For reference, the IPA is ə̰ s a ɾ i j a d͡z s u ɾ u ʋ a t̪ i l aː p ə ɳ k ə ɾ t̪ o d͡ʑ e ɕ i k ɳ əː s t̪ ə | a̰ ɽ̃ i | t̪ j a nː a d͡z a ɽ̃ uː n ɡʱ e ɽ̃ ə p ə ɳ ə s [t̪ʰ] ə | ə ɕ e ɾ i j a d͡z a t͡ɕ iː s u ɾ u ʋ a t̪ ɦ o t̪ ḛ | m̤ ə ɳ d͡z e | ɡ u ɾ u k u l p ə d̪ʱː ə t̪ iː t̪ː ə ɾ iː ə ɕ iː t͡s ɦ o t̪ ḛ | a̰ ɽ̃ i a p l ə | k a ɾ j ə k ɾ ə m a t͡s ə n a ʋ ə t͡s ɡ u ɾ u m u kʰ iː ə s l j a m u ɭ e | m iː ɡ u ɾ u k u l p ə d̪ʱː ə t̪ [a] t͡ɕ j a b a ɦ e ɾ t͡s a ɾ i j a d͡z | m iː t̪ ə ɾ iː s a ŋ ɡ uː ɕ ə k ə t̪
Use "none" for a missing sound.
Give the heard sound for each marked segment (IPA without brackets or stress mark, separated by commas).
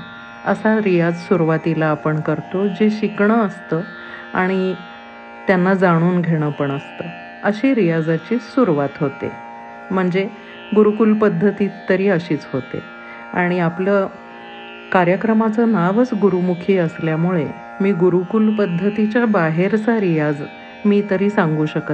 t̪, i